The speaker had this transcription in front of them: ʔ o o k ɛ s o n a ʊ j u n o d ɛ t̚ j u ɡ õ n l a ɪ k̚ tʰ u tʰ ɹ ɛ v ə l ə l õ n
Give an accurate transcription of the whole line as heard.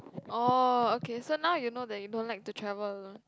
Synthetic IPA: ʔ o o k e s o n a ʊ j u n o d ɛ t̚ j u d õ n l a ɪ k̚ t u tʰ ɹ ɛ v ə l ə l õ n